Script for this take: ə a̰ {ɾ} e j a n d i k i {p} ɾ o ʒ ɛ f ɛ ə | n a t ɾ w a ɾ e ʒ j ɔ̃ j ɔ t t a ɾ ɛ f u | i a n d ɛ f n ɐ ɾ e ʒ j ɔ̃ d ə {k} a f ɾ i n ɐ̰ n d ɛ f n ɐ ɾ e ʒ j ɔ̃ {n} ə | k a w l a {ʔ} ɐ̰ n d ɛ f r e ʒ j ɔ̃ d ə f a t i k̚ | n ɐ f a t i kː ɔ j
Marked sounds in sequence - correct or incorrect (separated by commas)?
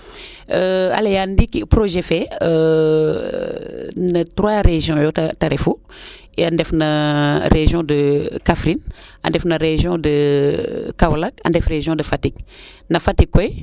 incorrect, correct, correct, incorrect, incorrect